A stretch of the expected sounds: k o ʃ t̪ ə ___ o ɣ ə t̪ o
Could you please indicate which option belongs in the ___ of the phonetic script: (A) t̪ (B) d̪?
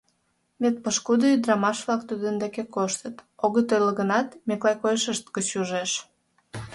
A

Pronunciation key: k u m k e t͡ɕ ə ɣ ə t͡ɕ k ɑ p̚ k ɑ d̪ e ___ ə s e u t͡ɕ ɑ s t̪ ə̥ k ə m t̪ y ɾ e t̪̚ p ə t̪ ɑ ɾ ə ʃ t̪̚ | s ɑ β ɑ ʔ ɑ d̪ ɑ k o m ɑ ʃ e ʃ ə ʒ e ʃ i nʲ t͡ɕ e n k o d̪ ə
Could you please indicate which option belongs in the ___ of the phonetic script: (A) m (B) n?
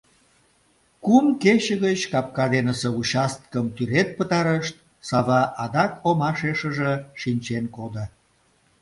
B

